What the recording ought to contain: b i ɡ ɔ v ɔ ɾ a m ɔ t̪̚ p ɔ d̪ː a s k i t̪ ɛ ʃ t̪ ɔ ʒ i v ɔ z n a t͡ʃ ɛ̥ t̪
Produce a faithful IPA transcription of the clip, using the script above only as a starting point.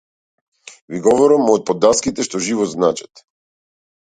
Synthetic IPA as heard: v i ɡ ɔ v ɔ ɾ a m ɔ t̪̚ p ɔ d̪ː a s k i t̪ ɛ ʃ t̪ ɔ ʒ i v ɔ z n a t͡ʃ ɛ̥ t̪